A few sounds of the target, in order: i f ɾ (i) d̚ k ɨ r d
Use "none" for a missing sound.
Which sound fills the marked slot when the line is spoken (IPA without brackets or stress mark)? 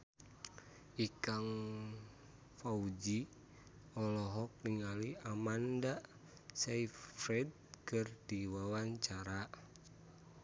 ɛ